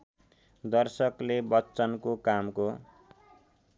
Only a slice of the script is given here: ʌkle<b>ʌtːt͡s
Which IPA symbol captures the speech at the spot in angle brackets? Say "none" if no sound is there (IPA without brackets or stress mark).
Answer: b